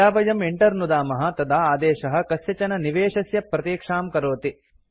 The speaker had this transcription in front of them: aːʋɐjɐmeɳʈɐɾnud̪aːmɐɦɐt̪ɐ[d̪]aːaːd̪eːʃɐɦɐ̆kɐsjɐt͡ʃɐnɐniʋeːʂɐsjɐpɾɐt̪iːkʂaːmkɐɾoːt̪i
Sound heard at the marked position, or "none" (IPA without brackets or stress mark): d̪